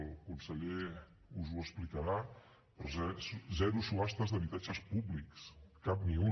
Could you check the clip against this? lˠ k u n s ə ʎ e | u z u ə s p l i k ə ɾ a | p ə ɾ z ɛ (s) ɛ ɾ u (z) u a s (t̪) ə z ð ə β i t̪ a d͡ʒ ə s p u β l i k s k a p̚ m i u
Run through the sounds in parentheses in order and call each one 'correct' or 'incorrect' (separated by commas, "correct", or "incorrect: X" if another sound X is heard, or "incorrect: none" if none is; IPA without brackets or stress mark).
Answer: incorrect: z, incorrect: s, correct